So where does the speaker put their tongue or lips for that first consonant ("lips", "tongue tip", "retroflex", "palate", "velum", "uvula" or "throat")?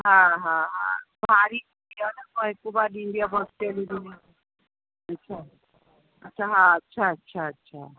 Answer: throat